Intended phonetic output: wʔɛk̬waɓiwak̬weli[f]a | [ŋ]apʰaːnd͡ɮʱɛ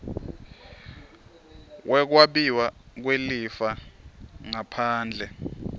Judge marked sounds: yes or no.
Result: yes, yes

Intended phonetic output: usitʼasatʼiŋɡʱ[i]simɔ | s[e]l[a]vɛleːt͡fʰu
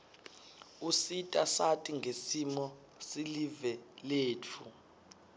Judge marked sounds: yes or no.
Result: no, no, no

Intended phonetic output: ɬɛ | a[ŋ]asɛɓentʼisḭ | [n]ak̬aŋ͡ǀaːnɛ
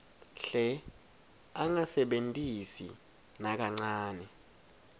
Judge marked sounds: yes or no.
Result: yes, yes

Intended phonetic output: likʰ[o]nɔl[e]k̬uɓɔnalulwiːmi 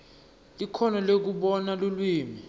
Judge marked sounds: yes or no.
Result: no, yes

